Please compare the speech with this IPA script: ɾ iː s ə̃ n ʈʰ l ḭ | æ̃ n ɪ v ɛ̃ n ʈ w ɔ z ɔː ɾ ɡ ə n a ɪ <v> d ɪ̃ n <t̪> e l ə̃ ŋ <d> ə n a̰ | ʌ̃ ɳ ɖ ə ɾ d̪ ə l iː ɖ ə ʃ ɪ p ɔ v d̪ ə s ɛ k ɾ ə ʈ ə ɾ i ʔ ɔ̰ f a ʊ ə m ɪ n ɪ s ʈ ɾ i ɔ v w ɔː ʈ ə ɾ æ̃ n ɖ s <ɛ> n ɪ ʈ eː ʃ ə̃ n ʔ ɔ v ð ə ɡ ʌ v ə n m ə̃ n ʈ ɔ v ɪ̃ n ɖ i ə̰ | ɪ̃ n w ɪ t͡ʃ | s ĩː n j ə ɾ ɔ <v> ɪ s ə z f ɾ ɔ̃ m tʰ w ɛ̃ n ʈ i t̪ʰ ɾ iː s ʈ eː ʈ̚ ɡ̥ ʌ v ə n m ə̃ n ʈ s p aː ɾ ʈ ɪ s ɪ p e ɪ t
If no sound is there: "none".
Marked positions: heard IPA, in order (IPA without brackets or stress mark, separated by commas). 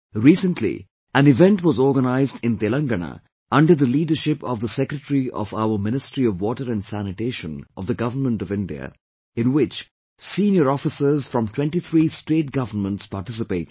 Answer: z, t̪, ɡ, æ, f